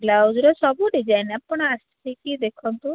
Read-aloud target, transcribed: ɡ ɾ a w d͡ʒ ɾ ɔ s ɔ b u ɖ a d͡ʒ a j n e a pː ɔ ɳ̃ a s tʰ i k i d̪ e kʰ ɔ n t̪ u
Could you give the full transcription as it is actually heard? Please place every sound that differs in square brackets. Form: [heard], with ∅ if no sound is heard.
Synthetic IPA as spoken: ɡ [l] a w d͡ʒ ɾ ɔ s ɔ b u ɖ [i] d͡ʒ a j n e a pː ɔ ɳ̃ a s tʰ i k i d̪ e kʰ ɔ n t̪ u